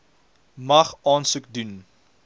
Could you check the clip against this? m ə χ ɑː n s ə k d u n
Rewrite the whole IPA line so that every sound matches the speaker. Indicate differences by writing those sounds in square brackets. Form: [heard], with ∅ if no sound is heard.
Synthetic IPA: m [ɐ] χ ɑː n s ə k d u n